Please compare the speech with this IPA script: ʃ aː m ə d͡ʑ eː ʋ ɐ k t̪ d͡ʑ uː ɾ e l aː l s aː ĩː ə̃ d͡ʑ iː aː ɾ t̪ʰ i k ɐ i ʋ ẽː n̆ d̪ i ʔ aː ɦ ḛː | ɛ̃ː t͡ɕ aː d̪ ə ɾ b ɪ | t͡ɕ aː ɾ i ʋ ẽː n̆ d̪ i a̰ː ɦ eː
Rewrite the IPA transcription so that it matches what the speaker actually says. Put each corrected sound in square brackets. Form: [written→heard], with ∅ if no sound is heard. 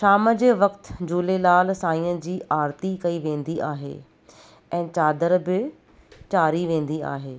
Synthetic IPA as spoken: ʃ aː m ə d͡ʑ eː ʋ ɐ k t̪ d͡ʑ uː [ɾ→l] e l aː l s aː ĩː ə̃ d͡ʑ iː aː ɾ [t̪ʰ→t̪] i k ɐ i ʋ ẽː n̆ d̪ i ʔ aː ɦ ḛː | ɛ̃ː t͡ɕ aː d̪ ə ɾ b ɪ | t͡ɕ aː ɾ i ʋ ẽː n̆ d̪ i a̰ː ɦ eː